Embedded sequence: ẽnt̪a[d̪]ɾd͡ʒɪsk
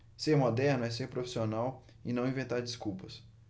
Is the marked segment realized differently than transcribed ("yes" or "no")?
yes